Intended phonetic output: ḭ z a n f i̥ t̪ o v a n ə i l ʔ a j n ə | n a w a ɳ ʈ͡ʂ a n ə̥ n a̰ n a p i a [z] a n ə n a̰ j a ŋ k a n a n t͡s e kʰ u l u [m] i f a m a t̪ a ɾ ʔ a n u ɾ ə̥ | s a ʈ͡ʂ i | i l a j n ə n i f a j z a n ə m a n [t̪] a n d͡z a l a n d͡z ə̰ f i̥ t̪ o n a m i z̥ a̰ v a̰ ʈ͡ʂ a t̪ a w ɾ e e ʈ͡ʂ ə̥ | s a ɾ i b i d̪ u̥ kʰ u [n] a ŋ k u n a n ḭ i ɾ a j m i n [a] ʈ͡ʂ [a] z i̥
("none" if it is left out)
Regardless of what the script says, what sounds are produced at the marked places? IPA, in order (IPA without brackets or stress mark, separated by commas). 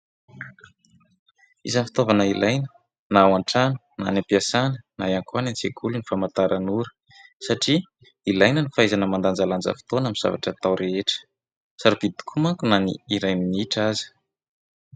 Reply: s, n, d̪, m, i, a